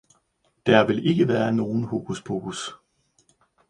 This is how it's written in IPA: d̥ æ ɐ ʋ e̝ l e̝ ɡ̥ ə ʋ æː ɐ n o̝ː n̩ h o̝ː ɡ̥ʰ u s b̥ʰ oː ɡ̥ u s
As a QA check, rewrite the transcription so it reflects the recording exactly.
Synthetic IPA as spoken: d̥ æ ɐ ʋ e̝ l e̝ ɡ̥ ə ʋ æː ɐ n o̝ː n̩ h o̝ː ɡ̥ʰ u s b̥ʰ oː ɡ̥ u s